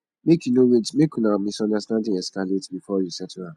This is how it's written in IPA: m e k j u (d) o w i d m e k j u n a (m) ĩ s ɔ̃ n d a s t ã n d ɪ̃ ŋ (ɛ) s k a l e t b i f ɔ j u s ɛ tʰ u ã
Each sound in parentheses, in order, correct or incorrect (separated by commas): incorrect, correct, correct